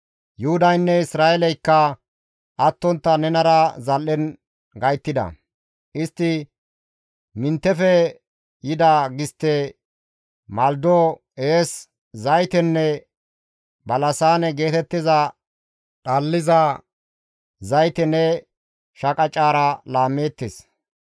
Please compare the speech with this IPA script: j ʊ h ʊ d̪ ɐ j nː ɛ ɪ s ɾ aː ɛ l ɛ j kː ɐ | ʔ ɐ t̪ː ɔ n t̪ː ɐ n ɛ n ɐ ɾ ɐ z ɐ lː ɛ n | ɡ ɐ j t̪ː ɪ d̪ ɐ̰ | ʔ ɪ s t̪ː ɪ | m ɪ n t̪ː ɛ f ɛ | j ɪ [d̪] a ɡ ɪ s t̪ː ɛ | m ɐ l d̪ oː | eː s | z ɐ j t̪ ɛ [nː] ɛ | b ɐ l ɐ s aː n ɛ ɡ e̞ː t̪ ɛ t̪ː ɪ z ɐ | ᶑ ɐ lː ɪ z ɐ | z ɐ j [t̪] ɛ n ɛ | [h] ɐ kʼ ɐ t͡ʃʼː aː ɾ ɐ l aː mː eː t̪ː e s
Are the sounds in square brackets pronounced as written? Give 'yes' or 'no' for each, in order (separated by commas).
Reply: yes, yes, yes, no